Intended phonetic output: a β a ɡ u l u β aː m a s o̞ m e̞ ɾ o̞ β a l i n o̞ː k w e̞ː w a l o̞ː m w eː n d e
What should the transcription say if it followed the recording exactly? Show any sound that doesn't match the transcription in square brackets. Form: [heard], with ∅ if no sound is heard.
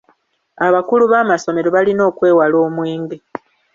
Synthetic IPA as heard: a β a [k] u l u β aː m a s o̞ m e̞ ɾ o̞ β a l i n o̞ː k w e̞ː w a l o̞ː m w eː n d e